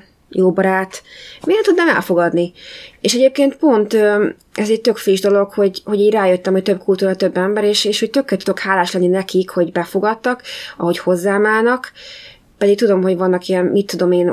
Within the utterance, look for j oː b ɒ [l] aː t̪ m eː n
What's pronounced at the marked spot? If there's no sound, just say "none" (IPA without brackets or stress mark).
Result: ɾ